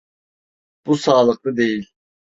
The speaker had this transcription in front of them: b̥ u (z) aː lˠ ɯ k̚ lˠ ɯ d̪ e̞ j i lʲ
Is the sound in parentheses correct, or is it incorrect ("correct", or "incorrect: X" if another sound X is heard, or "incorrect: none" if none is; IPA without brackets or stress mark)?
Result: incorrect: s